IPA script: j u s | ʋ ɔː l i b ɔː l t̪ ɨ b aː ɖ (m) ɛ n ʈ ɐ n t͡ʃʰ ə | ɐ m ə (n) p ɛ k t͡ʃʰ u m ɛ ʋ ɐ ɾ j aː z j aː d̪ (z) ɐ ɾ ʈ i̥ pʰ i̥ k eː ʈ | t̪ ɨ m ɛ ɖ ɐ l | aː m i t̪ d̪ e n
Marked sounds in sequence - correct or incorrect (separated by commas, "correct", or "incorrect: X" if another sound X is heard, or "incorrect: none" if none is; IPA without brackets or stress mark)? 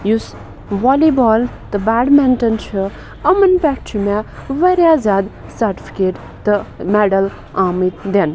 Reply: correct, correct, incorrect: s